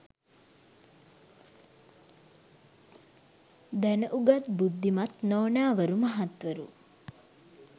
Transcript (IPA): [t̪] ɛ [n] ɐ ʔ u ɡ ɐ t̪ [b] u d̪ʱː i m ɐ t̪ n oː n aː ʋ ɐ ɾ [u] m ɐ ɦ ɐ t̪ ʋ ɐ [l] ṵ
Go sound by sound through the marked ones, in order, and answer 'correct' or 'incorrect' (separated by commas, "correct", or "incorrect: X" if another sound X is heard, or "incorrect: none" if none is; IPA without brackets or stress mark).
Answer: incorrect: d̪, correct, correct, correct, incorrect: ɾ